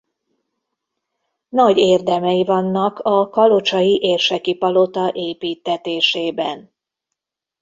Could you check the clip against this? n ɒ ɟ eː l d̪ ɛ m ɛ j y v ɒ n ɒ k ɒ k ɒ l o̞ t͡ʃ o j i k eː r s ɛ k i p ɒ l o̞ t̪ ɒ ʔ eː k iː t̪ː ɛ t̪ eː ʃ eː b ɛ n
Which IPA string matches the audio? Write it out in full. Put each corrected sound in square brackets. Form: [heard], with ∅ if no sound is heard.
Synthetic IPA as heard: n ɒ ɟ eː [r] d̪ ɛ m ɛ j [i] v ɒ [nː] ɒ k ɒ k ɒ l o̞ t͡ʃ [ɒ] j i [ʔ] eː r [ʃ] ɛ k i p ɒ l o̞ t̪ ɒ ʔ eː [p] iː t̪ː ɛ t̪ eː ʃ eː b ɛ n